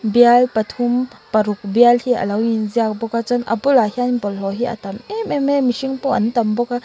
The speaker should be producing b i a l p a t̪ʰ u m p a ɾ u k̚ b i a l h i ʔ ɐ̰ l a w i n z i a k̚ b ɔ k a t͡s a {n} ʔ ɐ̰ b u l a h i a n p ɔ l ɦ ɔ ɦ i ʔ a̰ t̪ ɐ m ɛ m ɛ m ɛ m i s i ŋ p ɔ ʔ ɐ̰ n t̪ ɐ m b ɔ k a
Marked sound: correct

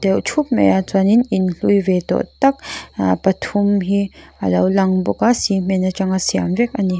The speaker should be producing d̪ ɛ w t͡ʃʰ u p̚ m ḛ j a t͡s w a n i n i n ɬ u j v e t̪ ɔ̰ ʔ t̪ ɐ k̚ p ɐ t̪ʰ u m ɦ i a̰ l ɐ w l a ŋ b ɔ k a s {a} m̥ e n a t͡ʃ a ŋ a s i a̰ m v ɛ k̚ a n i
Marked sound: incorrect: i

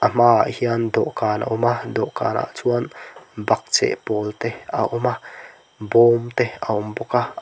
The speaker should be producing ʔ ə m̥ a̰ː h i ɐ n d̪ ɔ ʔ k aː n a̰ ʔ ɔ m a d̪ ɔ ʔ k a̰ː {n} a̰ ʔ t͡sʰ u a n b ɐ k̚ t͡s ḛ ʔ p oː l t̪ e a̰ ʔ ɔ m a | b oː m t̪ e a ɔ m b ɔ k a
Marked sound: correct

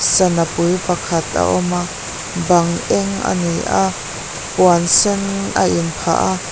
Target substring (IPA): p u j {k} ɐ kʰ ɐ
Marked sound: incorrect: p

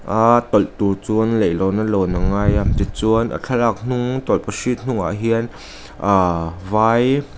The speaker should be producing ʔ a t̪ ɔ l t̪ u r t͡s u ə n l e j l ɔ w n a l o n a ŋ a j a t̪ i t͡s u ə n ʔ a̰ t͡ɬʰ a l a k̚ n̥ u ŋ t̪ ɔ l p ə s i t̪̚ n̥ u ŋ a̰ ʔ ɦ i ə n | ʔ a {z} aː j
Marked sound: incorrect: v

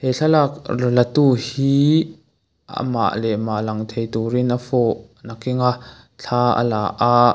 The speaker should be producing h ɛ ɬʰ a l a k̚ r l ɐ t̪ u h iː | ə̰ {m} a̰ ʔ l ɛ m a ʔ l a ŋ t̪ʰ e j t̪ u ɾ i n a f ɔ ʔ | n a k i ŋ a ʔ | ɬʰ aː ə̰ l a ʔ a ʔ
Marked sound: correct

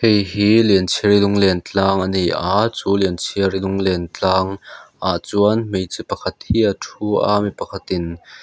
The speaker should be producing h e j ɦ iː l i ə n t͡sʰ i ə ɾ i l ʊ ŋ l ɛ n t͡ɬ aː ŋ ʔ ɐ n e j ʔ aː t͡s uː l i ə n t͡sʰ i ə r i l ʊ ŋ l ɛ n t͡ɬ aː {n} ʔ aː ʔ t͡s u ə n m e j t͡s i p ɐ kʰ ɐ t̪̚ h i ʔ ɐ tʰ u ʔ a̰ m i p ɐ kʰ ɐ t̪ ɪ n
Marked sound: incorrect: ŋ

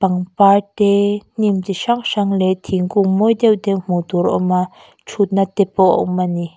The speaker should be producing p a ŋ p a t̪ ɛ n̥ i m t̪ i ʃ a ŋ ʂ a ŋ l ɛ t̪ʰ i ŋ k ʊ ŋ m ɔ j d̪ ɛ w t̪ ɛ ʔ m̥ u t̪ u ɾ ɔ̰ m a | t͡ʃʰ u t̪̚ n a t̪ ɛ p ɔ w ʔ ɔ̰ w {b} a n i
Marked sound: incorrect: m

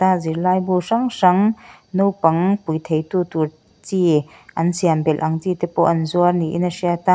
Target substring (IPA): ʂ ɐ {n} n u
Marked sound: incorrect: ŋ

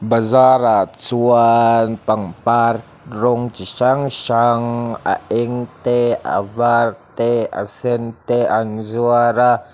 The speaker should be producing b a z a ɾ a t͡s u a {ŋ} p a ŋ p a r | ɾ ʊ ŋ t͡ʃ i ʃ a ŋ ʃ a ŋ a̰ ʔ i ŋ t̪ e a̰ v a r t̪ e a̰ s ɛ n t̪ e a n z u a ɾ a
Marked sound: incorrect: n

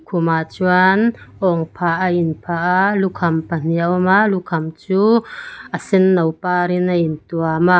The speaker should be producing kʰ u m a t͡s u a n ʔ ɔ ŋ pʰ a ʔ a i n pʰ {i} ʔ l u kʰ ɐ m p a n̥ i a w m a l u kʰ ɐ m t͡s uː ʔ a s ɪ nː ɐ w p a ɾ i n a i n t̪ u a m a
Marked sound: incorrect: a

